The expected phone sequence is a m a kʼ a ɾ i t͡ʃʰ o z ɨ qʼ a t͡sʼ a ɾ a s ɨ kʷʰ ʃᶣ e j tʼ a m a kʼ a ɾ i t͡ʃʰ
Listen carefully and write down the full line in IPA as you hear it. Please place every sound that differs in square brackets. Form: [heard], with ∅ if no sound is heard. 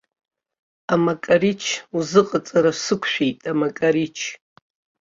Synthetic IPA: a m a kʼ a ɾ i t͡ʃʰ [u] z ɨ qʼ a t͡sʼ a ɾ a s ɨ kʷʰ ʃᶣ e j tʼ a m a kʼ a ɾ i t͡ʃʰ